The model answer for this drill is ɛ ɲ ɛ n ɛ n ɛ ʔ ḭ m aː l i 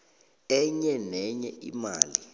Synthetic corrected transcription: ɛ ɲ ɛ n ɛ ɲ ɛ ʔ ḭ m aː l i